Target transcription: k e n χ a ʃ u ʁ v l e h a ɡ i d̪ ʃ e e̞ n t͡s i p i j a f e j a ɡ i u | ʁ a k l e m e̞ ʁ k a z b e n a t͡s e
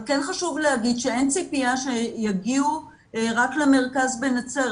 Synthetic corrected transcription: k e n χ a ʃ u v l e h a ɡ i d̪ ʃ e e̞ n t͡s i p i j a ʃ e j a ɡ i u | ʁ a k l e m e̞ ʁ k a z b e n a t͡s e